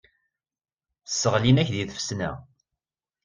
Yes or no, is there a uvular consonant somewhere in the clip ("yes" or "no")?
yes